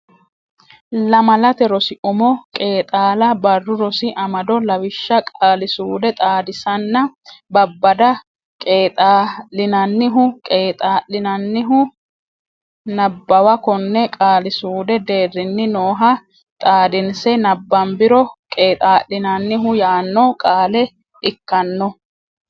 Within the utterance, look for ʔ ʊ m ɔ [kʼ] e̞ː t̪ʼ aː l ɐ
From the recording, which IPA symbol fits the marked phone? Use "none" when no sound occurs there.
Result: kʼ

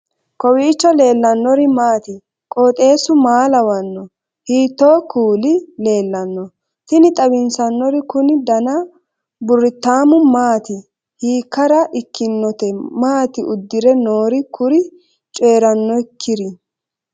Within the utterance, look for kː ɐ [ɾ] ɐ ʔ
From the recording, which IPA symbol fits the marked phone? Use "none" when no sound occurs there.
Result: ɾ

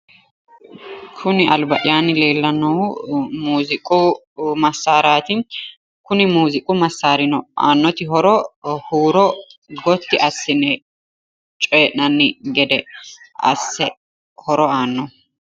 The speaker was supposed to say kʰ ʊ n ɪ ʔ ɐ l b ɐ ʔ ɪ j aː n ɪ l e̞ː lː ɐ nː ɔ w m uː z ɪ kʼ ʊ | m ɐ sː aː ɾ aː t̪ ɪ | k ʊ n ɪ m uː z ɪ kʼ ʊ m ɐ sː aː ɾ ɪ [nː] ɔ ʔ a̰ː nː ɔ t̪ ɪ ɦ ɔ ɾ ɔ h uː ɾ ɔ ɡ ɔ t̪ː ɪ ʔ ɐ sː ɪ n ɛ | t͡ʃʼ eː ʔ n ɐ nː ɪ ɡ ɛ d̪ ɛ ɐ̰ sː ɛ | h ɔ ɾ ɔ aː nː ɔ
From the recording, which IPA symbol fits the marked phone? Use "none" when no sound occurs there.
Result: n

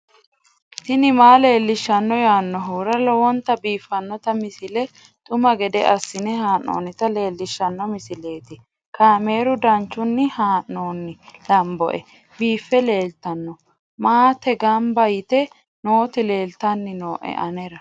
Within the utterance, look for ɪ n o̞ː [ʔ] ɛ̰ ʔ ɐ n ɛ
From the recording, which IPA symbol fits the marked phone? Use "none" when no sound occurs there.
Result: ʔ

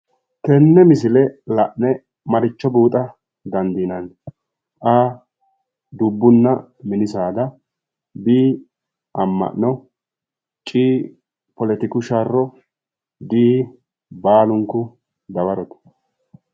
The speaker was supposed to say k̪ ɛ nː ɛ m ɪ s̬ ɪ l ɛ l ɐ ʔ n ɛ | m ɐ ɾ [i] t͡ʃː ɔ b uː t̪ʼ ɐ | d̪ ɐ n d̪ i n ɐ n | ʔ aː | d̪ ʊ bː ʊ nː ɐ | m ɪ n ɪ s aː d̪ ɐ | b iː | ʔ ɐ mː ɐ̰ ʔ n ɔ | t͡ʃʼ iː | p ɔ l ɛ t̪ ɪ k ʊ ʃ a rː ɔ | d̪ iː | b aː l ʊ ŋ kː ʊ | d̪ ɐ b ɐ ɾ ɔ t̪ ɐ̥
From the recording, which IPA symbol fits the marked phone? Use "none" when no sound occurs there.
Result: ɪ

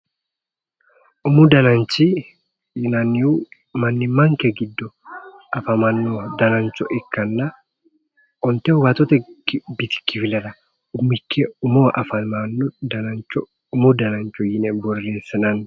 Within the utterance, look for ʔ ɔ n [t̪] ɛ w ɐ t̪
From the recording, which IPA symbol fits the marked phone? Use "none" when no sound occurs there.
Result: t̪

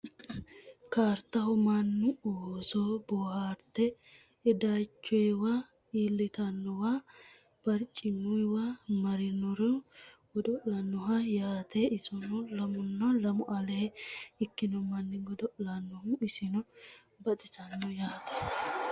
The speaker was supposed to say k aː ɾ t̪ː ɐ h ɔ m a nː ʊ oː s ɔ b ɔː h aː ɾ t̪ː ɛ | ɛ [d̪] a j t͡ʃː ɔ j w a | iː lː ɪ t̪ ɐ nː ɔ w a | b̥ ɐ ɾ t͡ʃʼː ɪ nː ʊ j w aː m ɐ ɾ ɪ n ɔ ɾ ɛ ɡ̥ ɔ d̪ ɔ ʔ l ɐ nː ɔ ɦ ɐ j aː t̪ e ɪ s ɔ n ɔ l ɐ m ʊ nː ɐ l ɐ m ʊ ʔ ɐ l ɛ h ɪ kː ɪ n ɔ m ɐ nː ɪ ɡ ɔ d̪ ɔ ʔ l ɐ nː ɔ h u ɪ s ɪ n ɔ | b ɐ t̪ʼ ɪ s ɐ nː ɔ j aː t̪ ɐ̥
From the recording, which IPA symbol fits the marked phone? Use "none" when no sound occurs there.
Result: d̪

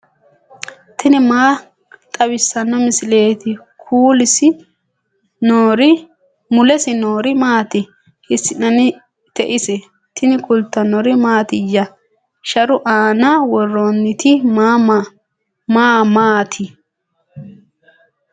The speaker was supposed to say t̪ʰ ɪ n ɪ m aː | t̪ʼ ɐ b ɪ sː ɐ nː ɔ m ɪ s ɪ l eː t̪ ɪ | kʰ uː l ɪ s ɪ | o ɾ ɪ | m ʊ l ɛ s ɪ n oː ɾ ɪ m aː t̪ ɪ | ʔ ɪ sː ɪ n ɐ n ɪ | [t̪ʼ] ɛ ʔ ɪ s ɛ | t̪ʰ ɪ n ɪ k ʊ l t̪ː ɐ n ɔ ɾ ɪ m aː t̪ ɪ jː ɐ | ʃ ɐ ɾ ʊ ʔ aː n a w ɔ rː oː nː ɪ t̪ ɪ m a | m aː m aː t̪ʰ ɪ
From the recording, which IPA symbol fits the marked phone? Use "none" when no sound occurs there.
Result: t̪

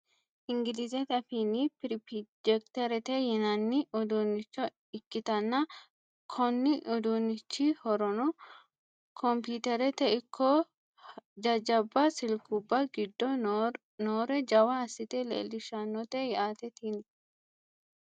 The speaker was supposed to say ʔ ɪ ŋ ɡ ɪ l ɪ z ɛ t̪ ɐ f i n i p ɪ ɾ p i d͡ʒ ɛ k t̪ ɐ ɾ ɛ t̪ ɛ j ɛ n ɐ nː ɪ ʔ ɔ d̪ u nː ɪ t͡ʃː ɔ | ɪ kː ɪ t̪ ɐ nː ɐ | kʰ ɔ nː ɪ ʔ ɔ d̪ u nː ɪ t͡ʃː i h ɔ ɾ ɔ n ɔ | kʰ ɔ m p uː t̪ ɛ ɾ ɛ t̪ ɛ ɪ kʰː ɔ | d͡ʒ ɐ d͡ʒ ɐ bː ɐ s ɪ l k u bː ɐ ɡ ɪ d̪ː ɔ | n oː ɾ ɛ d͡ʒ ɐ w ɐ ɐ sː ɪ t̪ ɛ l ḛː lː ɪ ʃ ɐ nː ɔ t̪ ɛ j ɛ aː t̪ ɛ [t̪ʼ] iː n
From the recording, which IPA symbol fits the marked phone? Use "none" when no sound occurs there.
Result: t̪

